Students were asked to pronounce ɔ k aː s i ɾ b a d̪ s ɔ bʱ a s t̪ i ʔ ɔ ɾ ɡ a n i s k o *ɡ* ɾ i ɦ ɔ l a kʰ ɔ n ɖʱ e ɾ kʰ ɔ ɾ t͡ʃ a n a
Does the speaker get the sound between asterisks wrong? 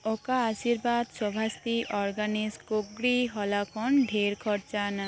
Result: no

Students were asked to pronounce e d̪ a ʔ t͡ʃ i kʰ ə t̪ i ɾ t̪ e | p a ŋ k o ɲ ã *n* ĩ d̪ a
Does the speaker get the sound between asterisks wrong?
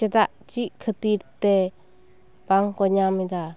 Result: yes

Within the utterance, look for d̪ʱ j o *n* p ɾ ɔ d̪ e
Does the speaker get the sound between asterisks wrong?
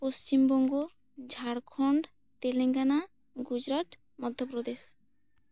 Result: yes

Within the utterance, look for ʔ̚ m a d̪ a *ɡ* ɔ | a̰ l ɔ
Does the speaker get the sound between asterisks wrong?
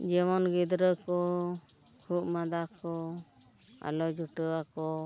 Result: yes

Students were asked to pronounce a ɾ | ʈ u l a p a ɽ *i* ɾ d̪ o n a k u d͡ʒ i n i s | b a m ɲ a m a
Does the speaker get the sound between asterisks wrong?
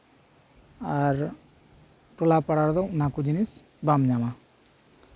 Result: yes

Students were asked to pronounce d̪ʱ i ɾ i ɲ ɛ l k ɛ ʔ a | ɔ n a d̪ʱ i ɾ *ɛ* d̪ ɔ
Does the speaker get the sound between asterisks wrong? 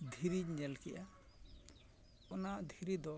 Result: yes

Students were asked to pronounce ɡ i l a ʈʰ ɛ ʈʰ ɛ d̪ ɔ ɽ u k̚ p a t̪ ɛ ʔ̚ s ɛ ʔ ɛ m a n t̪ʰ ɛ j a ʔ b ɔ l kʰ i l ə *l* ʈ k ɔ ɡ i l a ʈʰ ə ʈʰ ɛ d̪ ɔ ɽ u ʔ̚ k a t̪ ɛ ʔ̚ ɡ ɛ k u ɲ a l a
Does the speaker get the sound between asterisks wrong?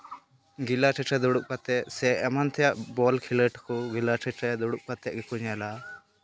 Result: yes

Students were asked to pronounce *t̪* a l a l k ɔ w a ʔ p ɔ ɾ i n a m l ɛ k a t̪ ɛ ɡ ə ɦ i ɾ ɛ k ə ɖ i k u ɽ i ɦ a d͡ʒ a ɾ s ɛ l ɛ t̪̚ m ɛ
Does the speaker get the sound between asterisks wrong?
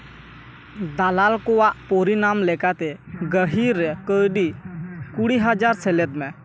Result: yes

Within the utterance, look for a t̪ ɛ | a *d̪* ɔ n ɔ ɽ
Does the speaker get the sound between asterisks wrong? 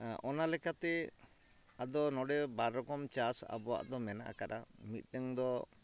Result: no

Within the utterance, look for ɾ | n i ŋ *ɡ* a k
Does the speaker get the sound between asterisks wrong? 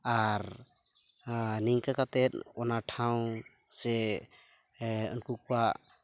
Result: yes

